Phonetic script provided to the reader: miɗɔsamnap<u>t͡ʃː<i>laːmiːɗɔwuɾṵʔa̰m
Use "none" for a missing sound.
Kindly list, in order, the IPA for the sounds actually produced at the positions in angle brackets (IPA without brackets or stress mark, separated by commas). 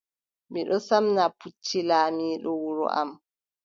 u, i